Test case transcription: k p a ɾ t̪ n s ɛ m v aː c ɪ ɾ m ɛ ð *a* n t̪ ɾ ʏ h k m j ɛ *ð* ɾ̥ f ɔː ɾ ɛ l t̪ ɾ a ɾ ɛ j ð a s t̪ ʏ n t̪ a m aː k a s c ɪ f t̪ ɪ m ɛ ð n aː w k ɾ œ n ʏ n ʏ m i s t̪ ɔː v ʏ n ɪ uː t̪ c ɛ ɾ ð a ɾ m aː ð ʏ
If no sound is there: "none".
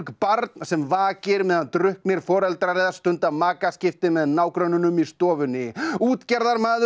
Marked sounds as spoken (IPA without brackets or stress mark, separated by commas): a, none